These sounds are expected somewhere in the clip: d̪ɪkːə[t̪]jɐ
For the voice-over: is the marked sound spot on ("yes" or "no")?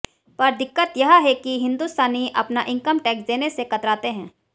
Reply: yes